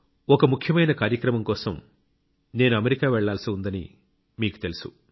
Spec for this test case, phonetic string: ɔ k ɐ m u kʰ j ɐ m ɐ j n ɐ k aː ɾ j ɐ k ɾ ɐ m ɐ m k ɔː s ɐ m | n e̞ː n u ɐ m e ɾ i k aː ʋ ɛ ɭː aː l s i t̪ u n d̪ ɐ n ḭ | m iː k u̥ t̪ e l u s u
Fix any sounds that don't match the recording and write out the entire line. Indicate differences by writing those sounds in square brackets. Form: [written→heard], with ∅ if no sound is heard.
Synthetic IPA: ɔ k ɐ m u kʰ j ɐ m ɐ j n ɐ k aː ɾ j ɐ k ɾ ɐ m ɐ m k ɔː s ɐ m | n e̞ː n u ɐ m e ɾ i k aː ʋ ɛ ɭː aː l s i [t̪→∅] u n d̪ ɐ n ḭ | m iː k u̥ t̪ e l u s u

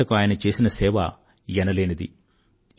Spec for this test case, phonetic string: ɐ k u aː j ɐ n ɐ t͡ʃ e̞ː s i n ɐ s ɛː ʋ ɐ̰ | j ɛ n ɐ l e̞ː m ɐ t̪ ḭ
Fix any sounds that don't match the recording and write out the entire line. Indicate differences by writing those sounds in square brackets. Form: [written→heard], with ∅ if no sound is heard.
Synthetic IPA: ɐ k u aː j ɐ n ɐ t͡ʃ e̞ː s i n ɐ s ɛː ʋ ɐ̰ | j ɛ n ɐ l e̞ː [m→n] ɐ [t̪→d̪] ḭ

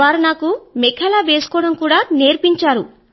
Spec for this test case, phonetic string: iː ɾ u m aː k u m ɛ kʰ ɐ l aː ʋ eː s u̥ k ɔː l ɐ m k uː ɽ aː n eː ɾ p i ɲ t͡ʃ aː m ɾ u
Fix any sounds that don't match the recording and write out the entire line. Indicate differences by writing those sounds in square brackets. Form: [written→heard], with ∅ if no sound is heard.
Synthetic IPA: [iː→aː] ɾ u [m→n] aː k u m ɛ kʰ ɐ l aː ʋ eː s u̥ k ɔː [l→ɽ] ɐ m k uː ɽ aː n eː ɾ p i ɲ t͡ʃ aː [m→∅] ɾ u

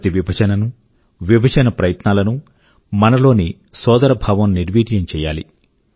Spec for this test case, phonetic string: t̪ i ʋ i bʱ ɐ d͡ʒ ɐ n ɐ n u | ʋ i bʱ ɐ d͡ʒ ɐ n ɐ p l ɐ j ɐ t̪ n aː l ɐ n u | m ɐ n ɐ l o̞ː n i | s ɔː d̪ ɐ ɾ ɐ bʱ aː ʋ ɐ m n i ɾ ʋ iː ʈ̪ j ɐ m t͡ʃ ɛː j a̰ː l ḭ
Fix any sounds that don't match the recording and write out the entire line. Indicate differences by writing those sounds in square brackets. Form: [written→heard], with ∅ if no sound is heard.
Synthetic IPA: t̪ i ʋ i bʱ ɐ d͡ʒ ɐ n ɐ n u | ʋ i bʱ ɐ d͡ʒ ɐ n ɐ p [l→ɾ] ɐ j ɐ t̪ n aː l ɐ n u | m ɐ n ɐ l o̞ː n i | s ɔː d̪ ɐ ɾ ɐ bʱ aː ʋ ɐ m n i ɾ ʋ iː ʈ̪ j ɐ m t͡ʃ ɛː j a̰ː l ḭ

